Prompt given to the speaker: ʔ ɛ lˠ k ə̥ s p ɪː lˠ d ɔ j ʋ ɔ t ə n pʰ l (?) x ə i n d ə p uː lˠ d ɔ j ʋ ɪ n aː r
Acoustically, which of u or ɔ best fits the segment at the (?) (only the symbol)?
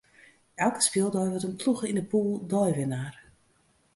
u